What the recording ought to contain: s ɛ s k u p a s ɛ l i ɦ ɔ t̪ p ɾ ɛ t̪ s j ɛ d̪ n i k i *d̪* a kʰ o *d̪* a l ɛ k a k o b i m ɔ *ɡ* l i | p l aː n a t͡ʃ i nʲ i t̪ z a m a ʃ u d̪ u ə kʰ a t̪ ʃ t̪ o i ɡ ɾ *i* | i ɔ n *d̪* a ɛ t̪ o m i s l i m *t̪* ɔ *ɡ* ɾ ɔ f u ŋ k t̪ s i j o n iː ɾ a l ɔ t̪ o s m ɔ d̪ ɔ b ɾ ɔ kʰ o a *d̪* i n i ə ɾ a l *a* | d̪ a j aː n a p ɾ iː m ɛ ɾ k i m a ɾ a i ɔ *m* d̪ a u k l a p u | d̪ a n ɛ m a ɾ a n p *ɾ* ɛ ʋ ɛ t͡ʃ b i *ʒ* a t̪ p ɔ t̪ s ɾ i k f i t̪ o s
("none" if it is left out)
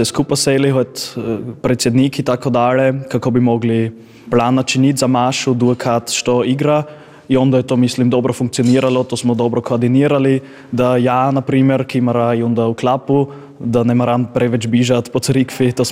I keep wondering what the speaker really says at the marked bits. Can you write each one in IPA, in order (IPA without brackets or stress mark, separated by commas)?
t̪, d̪, ɡ, a, d̪, d̪, b, d̪, i, n, ɾ, ʒ